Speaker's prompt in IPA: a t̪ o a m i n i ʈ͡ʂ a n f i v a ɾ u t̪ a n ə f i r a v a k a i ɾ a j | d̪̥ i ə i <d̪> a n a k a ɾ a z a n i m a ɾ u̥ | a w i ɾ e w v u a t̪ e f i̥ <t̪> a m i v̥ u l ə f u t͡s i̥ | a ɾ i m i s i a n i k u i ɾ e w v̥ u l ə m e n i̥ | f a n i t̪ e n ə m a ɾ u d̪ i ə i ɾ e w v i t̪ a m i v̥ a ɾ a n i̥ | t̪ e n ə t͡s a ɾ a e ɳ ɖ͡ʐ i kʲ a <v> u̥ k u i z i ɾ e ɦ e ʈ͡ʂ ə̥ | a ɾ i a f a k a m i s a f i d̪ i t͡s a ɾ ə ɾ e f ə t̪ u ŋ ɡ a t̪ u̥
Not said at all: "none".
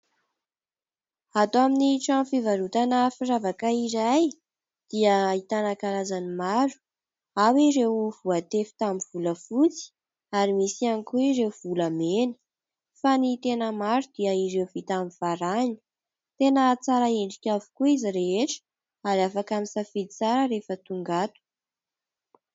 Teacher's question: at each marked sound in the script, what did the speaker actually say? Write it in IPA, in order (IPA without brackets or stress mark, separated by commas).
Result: t̪, t̪, v